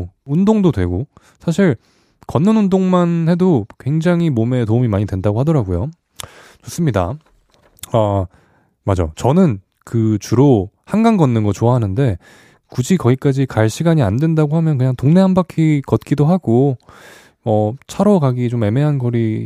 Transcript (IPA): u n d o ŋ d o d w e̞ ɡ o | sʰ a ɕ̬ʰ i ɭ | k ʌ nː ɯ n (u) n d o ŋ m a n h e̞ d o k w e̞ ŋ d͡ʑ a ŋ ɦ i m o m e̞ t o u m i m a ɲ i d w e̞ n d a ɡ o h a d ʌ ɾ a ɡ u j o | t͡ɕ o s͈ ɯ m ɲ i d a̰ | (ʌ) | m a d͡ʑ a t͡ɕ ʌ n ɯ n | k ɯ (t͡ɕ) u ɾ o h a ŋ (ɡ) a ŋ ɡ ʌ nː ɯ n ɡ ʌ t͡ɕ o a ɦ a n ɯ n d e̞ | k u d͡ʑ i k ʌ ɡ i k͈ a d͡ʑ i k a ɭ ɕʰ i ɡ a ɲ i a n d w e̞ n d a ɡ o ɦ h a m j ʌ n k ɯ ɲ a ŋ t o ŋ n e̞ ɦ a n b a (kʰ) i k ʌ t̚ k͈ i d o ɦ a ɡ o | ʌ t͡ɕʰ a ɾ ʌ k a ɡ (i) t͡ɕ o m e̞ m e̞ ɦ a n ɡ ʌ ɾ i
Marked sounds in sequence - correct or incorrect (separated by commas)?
correct, incorrect, correct, correct, correct, correct